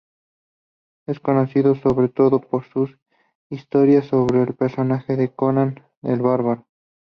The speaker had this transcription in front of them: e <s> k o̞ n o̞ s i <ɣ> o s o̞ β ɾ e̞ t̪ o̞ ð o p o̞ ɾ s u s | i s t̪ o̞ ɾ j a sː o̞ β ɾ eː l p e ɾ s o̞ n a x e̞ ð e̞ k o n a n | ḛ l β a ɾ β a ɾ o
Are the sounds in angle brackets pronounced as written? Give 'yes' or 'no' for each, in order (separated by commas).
yes, no